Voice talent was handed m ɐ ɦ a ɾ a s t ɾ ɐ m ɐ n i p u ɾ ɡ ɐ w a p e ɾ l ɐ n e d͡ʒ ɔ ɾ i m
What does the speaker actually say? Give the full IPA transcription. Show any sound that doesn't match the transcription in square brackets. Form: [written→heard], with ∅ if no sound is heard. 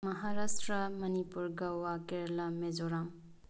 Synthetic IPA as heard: m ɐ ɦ a ɾ a s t ɾ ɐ m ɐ n i p u ɾ ɡ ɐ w a [p→k] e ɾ l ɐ [n→m] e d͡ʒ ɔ ɾ [i→a] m